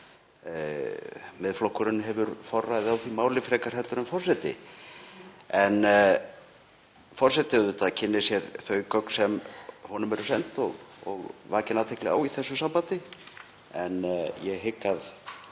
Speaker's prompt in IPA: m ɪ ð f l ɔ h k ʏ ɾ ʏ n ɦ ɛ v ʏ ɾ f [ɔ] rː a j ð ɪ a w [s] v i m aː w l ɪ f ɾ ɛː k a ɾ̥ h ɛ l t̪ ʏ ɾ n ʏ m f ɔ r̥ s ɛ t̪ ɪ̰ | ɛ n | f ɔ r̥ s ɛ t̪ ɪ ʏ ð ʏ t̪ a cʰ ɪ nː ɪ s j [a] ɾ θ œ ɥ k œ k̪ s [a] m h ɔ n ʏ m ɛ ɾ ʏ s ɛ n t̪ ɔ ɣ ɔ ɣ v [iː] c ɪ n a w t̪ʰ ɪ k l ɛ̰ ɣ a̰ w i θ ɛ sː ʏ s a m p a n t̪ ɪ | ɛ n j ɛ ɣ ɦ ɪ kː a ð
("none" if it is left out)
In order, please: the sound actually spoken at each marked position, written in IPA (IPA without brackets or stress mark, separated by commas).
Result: ɔ, θ, ɛ, ɛ, aː